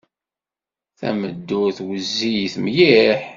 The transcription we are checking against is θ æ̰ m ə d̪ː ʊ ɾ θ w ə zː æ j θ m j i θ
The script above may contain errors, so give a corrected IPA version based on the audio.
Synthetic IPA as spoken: θ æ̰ m ə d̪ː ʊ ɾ θ w ə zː i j θ m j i ħ